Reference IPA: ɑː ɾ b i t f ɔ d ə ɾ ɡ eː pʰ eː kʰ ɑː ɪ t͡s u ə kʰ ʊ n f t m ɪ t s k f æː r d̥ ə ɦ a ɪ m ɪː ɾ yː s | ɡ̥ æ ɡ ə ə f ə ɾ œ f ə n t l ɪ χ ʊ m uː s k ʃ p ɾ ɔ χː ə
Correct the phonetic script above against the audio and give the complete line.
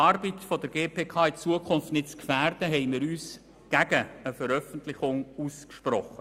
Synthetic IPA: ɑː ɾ b i t f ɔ d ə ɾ ɡ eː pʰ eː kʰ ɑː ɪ t͡s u ə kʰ ʊ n f t n ɪ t t͡s k f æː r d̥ ə ɦ ɛ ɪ m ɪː ɾ yː s | ɡ̥ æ ɡ ə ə f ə ɾ œ f ə n t l ɪ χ ʊ ŋ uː s k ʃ p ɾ ɔ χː ə